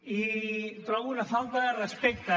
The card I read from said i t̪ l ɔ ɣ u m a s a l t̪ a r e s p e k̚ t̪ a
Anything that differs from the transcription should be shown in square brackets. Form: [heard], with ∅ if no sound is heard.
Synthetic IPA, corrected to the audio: i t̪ [ɾ] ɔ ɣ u [n] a [f] a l t̪ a r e s p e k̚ t̪ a